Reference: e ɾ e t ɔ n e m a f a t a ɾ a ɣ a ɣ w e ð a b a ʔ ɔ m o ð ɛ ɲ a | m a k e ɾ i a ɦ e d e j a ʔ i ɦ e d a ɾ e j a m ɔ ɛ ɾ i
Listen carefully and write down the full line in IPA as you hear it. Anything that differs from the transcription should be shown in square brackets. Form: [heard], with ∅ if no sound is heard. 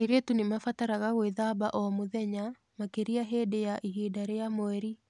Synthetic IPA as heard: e ɾ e t [u] n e m a f a t a ɾ a ɣ a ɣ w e ð a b a ʔ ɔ m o ð ɛ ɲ a | m a k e ɾ i a ɦ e d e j a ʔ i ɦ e d a ɾ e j a m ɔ ɛ ɾ i